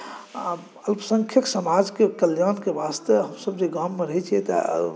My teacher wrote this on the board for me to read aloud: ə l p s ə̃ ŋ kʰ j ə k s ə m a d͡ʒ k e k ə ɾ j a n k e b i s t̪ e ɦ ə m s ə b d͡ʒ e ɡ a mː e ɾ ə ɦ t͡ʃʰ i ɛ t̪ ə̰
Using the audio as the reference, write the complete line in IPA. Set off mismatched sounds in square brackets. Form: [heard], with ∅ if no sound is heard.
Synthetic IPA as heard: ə l p s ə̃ ŋ kʰ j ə k s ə m a d͡ʒ k e k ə [l] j a n k e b [a] s t̪ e ɦ ə m s ə b d͡ʒ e ɡ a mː e ɾ ə ɦ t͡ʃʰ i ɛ t̪ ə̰